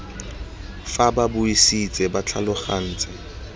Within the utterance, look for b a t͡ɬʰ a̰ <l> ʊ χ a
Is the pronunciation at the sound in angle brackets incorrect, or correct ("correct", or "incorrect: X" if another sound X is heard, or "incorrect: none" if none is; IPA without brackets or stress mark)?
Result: correct